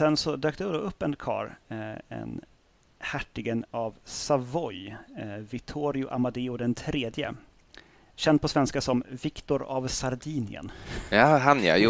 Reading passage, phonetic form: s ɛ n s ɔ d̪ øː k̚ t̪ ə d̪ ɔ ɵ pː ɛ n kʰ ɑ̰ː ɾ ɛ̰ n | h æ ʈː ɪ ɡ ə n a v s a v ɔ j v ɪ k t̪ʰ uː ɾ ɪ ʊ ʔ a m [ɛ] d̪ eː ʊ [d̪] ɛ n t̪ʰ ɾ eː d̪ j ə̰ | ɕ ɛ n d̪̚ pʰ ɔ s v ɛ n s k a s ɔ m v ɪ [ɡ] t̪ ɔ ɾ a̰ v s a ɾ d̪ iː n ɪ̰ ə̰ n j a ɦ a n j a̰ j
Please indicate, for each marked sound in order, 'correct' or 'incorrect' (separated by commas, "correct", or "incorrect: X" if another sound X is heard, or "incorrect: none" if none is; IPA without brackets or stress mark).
incorrect: a, correct, incorrect: k